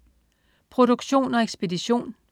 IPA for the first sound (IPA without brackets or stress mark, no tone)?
pʰ